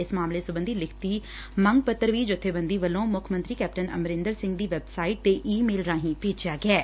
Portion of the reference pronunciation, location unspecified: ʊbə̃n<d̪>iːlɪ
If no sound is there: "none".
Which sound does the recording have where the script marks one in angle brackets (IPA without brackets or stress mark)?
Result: d̪